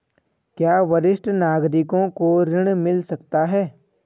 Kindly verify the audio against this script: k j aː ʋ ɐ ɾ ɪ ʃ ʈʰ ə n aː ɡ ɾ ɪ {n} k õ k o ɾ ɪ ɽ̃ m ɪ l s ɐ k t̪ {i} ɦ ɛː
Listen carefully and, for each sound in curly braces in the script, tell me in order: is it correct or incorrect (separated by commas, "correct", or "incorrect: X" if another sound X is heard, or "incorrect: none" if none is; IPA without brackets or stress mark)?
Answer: incorrect: none, incorrect: a